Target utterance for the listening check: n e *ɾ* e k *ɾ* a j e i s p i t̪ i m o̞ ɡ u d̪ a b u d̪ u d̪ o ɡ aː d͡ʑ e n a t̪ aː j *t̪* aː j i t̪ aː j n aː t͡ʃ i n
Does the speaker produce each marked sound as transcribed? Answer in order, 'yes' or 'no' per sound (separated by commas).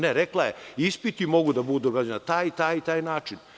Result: yes, no, yes